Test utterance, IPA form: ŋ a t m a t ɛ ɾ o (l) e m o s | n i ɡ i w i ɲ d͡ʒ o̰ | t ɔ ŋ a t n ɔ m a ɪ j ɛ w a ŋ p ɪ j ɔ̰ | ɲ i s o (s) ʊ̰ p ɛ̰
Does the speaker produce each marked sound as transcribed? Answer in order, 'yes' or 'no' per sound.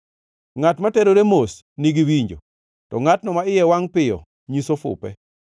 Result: no, no

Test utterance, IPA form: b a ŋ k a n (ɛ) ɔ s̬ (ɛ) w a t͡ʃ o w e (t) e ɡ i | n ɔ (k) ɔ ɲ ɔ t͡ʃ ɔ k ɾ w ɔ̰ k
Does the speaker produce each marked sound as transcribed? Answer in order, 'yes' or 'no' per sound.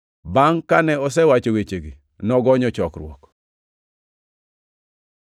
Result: yes, yes, no, no

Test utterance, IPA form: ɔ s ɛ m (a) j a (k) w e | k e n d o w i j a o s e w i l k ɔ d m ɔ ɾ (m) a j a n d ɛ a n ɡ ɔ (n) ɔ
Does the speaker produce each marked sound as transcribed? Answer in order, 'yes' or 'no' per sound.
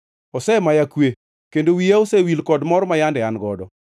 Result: yes, yes, yes, no

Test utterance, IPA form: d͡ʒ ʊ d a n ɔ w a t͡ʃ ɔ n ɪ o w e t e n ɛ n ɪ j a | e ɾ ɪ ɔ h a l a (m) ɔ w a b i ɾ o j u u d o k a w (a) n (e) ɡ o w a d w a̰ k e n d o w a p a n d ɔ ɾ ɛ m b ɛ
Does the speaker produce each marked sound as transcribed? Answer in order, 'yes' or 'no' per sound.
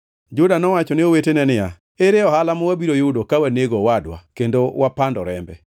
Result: yes, yes, yes

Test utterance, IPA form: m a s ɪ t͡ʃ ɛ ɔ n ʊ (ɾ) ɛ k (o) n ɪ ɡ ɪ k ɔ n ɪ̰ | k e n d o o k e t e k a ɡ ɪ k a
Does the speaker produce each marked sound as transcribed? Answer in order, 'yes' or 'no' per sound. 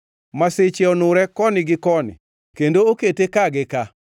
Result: yes, no

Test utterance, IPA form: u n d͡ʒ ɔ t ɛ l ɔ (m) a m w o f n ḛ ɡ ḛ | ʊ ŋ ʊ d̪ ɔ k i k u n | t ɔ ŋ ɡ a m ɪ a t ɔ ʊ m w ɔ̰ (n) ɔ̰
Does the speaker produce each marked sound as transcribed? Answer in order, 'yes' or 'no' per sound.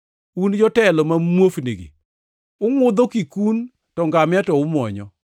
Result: yes, no

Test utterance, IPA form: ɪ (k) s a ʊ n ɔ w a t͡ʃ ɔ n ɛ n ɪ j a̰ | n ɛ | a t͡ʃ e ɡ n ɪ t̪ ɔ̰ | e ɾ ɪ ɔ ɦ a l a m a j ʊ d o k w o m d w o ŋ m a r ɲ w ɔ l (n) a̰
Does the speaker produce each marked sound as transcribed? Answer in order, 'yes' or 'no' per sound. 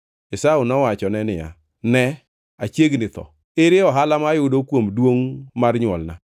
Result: no, yes

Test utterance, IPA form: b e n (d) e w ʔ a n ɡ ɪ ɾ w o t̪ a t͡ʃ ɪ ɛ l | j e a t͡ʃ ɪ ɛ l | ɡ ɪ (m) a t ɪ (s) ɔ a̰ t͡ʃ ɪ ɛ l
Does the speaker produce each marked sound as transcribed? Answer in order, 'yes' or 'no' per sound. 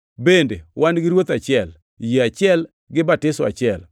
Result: yes, no, yes

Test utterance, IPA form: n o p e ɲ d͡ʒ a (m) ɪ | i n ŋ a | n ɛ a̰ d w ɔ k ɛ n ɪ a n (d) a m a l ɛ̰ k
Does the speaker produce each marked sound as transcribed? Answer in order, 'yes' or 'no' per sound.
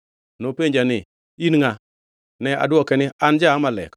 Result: no, no

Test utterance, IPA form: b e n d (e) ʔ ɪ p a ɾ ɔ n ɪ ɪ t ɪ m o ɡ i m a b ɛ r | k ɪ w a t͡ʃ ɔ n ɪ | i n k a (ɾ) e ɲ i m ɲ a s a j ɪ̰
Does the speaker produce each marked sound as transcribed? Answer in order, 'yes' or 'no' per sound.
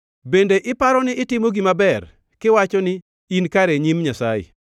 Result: yes, yes

